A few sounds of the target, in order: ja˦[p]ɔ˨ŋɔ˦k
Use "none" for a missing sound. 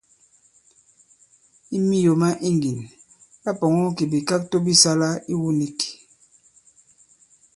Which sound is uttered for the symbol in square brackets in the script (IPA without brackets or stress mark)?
p